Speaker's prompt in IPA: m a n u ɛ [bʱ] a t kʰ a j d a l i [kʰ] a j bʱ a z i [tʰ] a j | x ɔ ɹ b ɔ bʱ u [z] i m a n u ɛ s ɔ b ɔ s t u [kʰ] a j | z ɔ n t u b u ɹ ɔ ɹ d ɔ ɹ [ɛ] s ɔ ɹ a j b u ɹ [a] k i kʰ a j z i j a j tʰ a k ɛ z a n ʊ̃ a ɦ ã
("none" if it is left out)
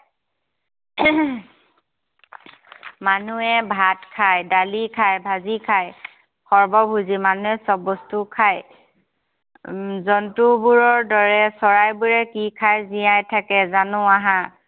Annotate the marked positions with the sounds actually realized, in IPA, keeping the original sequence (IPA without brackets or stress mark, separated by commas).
bʱ, kʰ, kʰ, z, kʰ, ɛ, ɛ